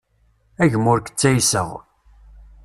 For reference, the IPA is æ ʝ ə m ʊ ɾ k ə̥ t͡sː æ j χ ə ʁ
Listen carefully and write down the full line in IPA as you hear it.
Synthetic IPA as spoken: æ ʝ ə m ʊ ɾ k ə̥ t͡sː æ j s ə ʁ